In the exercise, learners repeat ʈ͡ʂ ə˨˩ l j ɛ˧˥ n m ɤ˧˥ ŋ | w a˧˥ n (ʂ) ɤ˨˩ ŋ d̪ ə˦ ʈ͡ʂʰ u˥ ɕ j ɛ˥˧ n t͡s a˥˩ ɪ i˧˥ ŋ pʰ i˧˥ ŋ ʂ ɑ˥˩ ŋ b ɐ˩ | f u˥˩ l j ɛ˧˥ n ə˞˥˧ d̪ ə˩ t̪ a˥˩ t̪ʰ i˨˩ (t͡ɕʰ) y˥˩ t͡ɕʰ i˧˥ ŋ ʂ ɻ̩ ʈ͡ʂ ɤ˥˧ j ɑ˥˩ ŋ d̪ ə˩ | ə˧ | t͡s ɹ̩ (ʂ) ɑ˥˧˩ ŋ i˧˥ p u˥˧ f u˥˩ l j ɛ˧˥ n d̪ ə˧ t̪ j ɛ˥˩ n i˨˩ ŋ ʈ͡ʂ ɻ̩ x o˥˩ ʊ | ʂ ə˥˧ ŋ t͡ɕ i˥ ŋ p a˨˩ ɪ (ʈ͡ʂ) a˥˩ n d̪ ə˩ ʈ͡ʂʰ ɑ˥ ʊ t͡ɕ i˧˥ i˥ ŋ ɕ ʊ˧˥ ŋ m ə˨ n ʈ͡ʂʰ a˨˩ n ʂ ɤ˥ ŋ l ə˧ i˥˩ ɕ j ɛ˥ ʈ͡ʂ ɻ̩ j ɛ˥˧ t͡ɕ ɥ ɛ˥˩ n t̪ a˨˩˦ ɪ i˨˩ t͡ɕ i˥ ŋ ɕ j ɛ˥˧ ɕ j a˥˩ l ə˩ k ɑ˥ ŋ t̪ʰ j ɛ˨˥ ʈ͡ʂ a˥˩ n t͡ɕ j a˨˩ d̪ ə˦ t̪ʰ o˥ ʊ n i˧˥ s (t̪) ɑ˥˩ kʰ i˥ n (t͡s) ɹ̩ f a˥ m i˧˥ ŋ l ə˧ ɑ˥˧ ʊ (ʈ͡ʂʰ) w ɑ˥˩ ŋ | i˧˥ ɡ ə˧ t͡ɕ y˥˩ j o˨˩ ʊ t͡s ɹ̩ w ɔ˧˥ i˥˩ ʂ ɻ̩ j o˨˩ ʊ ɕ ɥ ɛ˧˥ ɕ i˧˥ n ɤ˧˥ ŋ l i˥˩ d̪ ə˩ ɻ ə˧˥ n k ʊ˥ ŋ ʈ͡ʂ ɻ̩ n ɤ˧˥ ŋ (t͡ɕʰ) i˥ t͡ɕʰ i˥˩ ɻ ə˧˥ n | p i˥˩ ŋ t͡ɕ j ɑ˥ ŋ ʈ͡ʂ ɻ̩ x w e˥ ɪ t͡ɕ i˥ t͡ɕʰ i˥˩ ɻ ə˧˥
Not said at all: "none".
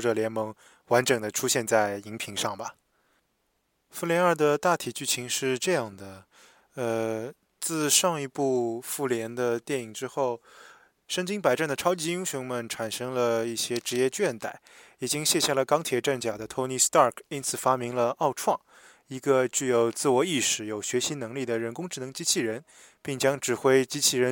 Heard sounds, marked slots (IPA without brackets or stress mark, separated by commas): ʈ͡ʂ, t͡ɕ, ʂ, ʈ͡ʂ, t̪, t͡sʰ, ʈ͡ʂʰ, t͡ɕ